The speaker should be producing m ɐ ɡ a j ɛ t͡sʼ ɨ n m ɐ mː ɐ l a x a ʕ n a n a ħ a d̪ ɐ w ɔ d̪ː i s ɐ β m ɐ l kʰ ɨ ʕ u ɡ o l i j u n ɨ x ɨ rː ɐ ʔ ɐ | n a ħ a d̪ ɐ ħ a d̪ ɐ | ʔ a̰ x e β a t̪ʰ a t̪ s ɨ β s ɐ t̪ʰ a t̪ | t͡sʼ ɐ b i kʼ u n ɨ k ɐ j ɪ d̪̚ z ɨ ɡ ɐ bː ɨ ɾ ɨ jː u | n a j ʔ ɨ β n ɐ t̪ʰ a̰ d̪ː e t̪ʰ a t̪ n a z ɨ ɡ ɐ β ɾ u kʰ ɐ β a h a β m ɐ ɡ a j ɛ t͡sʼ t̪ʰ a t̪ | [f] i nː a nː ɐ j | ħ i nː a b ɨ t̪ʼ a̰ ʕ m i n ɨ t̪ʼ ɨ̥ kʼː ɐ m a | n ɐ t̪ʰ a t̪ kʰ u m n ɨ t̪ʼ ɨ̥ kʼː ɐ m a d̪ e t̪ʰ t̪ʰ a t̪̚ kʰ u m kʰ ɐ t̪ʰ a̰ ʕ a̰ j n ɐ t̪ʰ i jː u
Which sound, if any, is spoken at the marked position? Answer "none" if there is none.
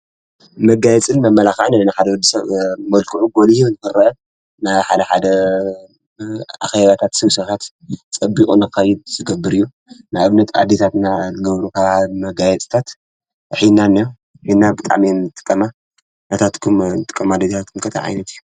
ħ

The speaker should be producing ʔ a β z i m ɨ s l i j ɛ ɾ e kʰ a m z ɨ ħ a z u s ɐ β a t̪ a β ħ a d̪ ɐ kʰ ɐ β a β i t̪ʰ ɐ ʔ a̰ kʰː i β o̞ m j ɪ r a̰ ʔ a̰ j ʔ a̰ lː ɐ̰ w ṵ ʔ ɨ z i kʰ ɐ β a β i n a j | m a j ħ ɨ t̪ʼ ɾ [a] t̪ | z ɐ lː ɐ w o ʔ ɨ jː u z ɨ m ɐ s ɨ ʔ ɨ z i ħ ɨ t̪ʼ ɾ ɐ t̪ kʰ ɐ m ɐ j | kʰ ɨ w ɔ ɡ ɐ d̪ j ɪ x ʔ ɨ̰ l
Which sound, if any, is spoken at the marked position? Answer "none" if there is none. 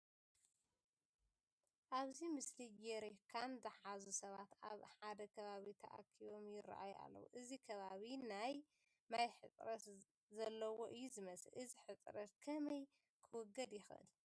ɐ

